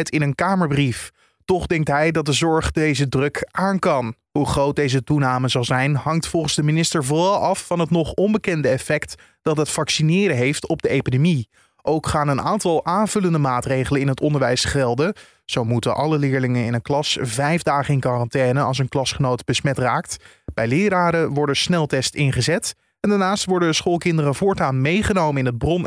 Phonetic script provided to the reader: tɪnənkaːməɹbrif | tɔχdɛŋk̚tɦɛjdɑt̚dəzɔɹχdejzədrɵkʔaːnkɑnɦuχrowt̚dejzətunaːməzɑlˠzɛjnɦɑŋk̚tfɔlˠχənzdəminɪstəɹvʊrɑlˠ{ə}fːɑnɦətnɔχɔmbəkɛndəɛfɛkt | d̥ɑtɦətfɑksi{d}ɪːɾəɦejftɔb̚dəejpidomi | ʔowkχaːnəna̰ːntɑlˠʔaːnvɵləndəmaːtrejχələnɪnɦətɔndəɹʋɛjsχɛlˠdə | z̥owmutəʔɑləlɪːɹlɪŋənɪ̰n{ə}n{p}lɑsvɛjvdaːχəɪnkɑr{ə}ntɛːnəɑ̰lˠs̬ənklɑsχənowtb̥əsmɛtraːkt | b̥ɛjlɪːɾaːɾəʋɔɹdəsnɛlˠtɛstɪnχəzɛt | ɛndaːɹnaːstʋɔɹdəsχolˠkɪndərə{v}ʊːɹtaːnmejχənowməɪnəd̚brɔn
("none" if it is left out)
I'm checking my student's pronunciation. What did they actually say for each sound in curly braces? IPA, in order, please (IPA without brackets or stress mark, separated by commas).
ɑ, n, ə, k, ɑ, v